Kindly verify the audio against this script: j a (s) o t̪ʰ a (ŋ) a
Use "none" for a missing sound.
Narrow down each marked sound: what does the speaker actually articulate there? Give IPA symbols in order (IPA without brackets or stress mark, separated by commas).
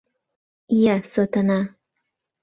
s, n